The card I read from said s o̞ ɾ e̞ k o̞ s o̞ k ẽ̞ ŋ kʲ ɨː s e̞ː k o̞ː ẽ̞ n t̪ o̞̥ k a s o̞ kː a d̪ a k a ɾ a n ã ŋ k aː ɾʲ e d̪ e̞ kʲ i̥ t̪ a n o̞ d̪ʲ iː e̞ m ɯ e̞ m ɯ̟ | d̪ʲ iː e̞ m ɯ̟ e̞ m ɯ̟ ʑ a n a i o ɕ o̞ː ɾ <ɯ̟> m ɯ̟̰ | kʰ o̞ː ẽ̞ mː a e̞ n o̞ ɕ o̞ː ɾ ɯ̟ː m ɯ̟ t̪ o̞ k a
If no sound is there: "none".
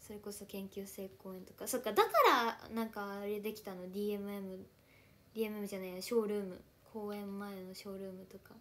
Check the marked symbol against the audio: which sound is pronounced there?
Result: ɯ̟ː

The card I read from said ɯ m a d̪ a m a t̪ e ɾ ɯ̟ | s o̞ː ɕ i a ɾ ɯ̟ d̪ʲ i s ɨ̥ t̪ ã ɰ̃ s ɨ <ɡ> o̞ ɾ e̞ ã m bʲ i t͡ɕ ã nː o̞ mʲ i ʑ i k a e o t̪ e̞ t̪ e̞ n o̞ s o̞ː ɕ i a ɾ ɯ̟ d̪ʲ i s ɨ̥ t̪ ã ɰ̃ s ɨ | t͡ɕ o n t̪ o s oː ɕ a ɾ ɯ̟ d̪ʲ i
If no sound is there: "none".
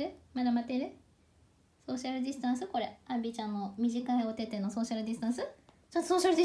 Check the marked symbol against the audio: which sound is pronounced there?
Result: k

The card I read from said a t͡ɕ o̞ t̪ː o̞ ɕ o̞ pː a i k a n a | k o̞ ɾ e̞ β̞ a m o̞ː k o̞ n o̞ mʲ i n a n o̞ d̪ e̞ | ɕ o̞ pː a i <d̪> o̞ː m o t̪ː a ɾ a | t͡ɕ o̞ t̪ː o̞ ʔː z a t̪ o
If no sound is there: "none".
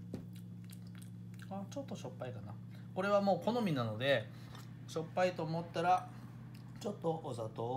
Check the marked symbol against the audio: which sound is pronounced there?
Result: t̪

